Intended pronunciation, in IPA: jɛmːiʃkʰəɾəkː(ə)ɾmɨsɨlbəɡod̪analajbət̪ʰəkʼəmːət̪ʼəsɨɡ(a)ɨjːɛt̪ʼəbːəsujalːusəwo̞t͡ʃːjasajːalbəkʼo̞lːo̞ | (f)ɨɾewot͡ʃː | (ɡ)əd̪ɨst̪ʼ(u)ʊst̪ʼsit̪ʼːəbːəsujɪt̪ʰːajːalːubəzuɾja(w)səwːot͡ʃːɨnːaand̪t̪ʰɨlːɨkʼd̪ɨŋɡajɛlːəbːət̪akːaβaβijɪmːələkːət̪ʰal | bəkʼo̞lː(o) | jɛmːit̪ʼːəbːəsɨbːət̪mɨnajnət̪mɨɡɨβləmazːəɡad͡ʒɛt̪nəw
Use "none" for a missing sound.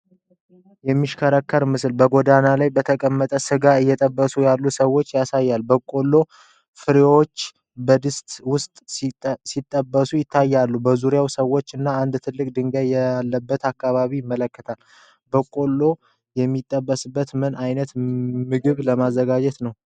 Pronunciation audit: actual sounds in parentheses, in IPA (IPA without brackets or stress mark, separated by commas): ə, a, f, b, w, w, o